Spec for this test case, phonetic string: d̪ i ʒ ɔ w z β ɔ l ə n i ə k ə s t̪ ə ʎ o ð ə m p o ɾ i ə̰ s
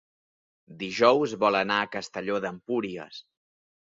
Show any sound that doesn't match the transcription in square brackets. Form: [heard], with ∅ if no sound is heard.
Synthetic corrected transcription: d̪ i ʒ ɔ w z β ɔ l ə n [a] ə k ə s t̪ ə ʎ o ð ə m p [u] ɾ i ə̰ s